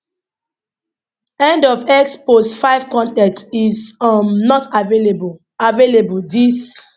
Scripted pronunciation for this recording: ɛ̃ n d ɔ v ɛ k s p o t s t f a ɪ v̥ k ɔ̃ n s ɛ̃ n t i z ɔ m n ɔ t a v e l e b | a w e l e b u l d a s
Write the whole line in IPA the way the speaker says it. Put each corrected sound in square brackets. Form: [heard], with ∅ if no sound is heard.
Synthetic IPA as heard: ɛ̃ n d ɔ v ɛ k s p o [∅] s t f a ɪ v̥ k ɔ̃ n [t] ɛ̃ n t i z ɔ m n ɔ t a v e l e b | a [v] e l e b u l d [i] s